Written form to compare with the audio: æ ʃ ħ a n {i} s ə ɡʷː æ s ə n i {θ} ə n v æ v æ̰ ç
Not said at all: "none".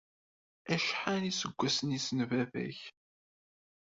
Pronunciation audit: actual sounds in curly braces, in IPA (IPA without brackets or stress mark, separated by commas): i, s